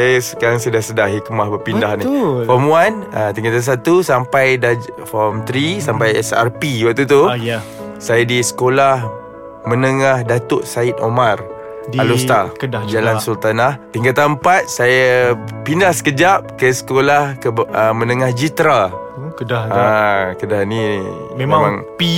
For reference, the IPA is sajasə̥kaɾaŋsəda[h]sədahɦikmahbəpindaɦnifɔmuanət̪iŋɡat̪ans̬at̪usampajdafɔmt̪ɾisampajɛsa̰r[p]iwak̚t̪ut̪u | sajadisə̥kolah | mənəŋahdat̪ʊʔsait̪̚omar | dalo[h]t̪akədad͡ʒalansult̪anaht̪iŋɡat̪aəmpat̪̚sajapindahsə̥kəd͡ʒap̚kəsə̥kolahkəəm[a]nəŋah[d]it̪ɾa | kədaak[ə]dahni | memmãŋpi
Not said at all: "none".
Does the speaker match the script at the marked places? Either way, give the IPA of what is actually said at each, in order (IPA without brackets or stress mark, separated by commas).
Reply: h, p, s, ə, d͡ʒ, ə